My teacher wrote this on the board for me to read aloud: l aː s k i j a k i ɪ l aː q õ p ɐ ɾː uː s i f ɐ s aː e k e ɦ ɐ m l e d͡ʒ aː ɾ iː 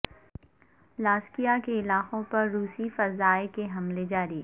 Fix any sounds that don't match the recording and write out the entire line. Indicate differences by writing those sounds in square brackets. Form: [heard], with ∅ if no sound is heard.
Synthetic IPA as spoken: l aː s k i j a k [e] ɪ l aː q õ p ɐ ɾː uː s i f ɐ [z] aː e k e ɦ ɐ m l e d͡ʒ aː ɾ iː